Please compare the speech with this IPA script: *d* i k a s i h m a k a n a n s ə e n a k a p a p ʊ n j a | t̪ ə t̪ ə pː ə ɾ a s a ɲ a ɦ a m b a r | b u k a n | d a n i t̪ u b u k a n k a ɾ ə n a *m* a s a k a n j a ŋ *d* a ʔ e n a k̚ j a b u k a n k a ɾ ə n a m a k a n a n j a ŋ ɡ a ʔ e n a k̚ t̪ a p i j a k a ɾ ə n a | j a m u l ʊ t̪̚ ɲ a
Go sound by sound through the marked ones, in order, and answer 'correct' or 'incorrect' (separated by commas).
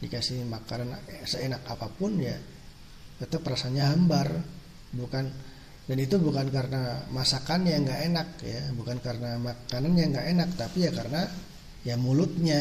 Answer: correct, correct, incorrect